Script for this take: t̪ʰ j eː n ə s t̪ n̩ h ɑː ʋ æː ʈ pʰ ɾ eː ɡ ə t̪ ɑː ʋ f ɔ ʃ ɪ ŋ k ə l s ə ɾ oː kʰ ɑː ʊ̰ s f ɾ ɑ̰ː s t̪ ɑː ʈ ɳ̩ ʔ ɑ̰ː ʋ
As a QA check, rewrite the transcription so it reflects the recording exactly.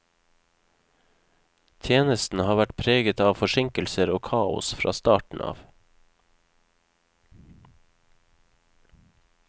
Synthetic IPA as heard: t̪ʰ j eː n ə s t̪ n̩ h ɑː ʋ æ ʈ pʰ ɾ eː ɡ ə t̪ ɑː ʋ f ɔ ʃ ɪ ŋ k ə l s ə ɾ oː kʰ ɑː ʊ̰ s f ɾ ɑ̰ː s t̪ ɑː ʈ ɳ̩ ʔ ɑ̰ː ʋ